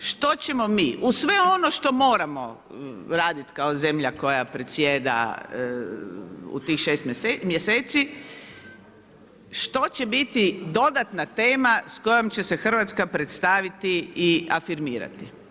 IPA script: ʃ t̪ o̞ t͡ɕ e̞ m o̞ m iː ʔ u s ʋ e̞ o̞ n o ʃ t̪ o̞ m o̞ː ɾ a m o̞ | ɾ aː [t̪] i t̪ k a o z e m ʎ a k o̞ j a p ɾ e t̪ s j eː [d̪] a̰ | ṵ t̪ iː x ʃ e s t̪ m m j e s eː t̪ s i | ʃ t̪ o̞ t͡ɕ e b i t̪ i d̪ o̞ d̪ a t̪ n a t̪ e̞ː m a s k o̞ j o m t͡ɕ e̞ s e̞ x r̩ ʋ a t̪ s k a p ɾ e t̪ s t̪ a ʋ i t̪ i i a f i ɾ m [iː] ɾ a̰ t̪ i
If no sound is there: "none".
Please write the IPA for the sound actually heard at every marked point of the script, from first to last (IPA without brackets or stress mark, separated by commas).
d̪, d̪, iː